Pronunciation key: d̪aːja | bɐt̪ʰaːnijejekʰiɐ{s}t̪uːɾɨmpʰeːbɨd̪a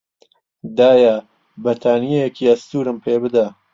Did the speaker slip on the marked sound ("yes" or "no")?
no